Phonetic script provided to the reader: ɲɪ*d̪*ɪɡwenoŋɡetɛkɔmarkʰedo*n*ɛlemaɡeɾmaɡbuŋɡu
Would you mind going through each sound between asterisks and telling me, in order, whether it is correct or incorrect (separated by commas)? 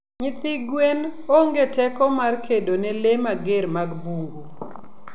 incorrect, correct